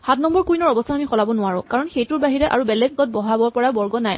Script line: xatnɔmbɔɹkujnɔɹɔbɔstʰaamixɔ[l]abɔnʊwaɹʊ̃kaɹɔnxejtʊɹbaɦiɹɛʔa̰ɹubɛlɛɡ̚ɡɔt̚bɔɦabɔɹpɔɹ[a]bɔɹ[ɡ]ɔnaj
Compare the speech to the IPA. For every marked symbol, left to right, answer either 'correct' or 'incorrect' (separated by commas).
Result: correct, correct, correct